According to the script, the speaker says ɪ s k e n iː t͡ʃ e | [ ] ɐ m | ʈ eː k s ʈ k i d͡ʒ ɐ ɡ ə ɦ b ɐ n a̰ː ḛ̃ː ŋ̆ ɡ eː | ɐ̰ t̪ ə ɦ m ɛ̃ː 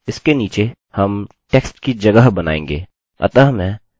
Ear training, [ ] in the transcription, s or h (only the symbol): h